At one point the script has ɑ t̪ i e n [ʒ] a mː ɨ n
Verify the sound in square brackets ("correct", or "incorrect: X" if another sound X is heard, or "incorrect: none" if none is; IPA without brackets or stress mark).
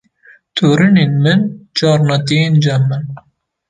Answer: incorrect: d͡ʒ